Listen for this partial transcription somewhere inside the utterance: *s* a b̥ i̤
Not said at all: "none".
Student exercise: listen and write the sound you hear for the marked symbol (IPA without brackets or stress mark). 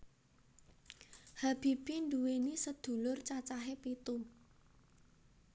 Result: h